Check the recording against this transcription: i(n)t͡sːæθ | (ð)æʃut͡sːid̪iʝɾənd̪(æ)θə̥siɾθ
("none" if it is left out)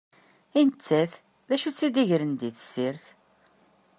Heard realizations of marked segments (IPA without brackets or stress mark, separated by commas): n, ð, i